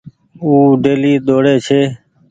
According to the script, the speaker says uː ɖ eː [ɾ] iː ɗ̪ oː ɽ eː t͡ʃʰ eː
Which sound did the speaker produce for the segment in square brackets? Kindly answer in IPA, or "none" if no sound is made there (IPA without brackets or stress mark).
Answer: l